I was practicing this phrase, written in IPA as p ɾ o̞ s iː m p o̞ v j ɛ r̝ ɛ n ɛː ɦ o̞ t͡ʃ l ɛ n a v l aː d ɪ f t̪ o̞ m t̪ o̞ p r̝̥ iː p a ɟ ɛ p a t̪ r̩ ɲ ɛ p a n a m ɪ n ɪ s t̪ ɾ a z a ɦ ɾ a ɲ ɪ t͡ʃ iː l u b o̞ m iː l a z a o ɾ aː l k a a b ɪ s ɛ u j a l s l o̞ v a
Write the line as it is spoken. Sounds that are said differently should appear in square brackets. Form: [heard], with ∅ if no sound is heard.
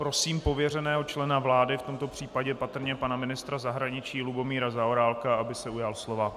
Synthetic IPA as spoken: p ɾ o̞ s iː m p o̞ v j ɛ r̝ ɛ n ɛː ɦ o̞ t͡ʃ l ɛ n a v l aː d ɪ f t̪ o̞ m t̪ o̞ p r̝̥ iː p a ɟ ɛ p a t̪ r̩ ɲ ɛ p a n a m ɪ n ɪ s t̪ ɾ a z a ɦ ɾ a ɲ ɪ t͡ʃ iː l u b o̞ m iː [ɾ] a z a o ɾ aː l k a a b ɪ s ɛ u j a l s l o̞ v a